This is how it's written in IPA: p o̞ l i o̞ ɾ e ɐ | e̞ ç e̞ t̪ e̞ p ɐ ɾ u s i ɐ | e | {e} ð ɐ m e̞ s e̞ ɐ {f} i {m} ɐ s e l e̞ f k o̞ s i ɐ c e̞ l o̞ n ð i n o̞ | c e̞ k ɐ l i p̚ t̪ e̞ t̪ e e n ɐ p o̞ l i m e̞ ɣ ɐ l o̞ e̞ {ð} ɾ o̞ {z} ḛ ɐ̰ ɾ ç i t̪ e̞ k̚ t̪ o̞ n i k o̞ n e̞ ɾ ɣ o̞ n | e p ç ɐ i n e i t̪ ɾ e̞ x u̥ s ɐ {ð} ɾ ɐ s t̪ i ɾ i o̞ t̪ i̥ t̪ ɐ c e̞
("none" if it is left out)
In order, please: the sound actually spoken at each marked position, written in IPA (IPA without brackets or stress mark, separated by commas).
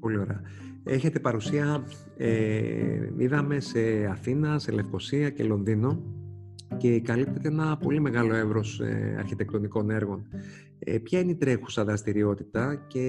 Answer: i, θ, n, v, s, ð